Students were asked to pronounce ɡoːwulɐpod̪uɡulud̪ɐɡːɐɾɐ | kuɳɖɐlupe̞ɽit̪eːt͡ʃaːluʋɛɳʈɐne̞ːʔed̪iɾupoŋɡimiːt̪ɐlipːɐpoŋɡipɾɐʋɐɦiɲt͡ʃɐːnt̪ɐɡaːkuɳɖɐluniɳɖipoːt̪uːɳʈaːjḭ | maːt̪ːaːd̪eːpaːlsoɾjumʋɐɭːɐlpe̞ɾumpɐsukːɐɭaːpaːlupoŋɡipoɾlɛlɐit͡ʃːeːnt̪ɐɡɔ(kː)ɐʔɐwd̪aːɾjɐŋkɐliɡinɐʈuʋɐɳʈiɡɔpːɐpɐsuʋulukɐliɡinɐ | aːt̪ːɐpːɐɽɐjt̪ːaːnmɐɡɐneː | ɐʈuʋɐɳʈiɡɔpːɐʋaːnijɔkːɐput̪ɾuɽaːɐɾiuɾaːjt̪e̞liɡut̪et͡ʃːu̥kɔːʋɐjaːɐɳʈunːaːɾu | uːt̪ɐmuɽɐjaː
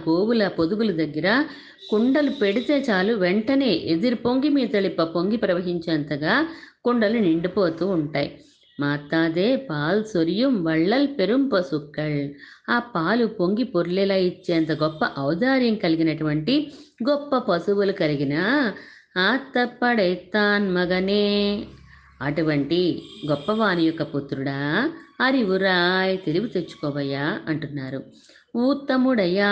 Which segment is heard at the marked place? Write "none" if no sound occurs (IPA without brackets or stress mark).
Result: pː